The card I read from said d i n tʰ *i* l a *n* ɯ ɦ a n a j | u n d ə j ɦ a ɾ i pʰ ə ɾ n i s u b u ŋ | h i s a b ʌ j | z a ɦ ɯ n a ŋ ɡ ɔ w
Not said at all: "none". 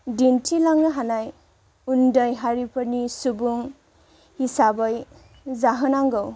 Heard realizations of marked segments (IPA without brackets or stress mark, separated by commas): i, ŋ